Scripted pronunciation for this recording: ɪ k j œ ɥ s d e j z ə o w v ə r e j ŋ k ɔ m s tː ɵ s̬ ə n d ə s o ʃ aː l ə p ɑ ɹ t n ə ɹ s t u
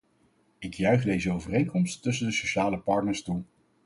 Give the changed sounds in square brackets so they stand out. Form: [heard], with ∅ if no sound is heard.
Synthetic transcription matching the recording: ɪ k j œ ɥ [χ] d e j z ə o w v ə r e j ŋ k ɔ m s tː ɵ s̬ ə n d ə s o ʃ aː l ə p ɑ ɹ t n ə ɹ s t u